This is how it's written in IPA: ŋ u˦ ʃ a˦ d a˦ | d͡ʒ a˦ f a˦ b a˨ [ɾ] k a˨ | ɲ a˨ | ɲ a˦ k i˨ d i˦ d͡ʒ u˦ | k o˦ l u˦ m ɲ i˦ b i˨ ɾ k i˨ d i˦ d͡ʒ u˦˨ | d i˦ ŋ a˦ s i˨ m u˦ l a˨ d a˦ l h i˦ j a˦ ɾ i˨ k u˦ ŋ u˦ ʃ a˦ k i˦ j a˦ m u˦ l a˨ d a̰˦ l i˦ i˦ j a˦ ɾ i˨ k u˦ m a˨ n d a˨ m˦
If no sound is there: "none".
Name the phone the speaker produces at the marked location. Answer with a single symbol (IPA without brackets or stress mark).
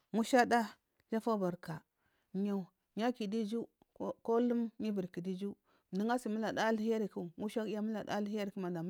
ɾ